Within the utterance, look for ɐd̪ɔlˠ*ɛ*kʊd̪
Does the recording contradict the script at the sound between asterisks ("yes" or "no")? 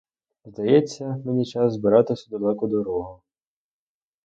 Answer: no